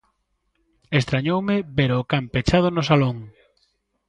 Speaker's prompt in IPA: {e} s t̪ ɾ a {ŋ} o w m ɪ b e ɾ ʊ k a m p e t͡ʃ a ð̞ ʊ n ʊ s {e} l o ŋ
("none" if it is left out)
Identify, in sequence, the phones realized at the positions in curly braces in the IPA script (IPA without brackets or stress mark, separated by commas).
e, ɲ, a